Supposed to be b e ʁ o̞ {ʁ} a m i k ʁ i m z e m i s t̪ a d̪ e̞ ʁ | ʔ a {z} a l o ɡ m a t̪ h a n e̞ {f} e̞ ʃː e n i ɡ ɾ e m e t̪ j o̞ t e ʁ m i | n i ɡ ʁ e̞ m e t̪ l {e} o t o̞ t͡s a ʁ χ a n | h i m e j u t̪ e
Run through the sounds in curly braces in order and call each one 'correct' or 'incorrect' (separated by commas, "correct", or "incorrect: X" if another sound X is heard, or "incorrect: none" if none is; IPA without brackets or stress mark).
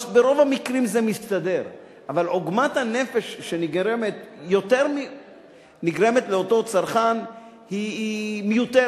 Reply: incorrect: v, incorrect: v, correct, correct